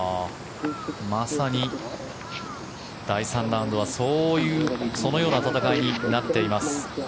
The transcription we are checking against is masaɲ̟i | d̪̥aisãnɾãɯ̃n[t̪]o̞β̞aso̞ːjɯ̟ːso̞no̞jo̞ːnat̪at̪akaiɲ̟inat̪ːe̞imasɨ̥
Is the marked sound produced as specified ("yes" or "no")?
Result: no